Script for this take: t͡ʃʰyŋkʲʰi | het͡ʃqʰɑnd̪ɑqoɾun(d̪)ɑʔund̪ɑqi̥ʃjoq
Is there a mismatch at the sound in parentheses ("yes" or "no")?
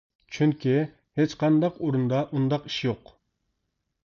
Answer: no